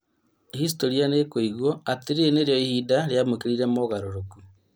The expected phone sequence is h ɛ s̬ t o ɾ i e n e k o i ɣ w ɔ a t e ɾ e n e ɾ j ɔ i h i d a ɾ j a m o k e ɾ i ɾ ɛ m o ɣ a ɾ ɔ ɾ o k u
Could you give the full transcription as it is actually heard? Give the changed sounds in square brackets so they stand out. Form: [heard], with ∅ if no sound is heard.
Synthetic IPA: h [i] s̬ t o ɾ i [a] n e k o i ɣ w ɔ a t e ɾ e n e ɾ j ɔ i h i d a ɾ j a m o k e ɾ i ɾ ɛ m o ɣ a ɾ [o] ɾ o k u